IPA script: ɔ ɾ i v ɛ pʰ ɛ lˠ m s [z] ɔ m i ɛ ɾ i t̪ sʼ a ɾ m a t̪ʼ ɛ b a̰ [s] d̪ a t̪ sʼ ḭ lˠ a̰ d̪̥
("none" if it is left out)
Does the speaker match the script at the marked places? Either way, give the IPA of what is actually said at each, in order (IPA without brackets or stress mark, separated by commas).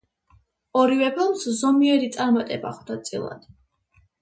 z, χ